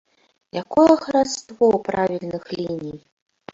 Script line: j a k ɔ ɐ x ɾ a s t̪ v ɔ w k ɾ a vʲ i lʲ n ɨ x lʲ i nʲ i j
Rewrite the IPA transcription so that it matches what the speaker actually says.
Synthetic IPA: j a k ɔ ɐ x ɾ a s t̪ v ɔ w p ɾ a vʲ i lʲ n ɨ x lʲ i nʲ i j